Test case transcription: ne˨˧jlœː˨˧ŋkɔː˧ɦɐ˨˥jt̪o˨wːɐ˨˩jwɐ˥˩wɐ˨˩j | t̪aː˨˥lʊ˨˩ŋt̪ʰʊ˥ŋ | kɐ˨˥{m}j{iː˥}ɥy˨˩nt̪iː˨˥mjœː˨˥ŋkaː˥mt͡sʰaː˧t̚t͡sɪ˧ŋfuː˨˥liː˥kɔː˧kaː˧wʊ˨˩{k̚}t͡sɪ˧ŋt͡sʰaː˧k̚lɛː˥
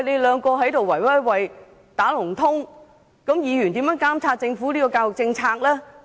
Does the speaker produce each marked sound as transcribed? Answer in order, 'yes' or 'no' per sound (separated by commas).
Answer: yes, no, yes